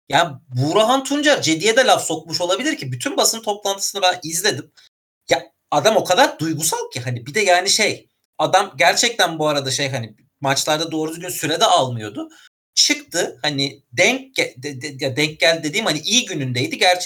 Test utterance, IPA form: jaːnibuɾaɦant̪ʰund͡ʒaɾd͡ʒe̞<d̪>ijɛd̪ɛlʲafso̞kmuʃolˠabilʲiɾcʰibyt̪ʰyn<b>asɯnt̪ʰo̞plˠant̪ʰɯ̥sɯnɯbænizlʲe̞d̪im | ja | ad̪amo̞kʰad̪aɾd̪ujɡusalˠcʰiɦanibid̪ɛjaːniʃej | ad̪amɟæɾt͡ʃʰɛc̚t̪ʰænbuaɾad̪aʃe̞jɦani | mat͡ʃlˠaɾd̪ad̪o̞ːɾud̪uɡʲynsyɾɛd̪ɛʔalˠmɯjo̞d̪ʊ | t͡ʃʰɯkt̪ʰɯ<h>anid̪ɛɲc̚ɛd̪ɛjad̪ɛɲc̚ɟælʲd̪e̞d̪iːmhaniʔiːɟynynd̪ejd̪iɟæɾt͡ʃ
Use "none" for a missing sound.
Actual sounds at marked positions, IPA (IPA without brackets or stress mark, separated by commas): d̪, b, h